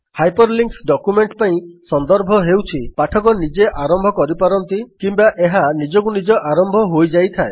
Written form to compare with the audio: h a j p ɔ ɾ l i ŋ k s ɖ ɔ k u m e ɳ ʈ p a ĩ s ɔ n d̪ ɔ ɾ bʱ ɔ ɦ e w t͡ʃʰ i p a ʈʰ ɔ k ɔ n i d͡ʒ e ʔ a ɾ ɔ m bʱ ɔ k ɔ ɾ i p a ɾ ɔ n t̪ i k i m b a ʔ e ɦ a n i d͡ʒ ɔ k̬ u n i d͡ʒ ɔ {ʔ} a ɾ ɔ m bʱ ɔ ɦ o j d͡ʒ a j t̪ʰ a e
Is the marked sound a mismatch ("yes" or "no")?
no